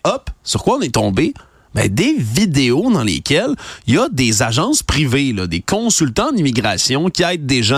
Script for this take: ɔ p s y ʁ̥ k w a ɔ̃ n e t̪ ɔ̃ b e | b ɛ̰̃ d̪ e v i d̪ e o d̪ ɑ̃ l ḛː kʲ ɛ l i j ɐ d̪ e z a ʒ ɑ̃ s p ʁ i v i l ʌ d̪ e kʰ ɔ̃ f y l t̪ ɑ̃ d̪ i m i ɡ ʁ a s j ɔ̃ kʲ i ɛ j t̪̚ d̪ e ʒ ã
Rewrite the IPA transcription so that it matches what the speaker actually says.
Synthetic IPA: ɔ p s y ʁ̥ k w a ɔ̃ n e t̪ ɔ̃ b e | b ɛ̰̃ d̪ e v i d̪ e o d̪ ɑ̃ l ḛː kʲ ɛ l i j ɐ d̪ e z a ʒ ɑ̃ s p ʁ i v e l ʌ d̪ e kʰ ɔ̃ s y l t̪ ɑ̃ d̪ i m i ɡ ʁ a s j ɔ̃ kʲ i ɛ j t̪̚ d̪ e ʒ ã